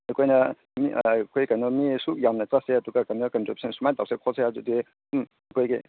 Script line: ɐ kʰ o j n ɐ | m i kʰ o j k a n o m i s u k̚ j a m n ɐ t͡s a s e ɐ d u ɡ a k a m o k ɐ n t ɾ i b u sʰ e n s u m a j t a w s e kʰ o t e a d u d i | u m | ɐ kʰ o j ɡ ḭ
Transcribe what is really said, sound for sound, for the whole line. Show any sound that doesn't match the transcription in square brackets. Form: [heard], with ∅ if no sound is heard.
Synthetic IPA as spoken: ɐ kʰ o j n ɐ | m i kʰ o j k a n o m i s u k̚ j a m n ɐ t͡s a s e ɐ d u ɡ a k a [n] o k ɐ n t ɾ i b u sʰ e n s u m a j t a w s e kʰ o [s] e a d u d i | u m | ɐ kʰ o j ɡ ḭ